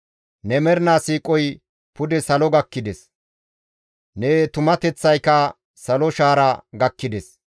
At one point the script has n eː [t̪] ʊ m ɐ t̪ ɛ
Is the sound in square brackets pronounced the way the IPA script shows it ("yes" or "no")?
yes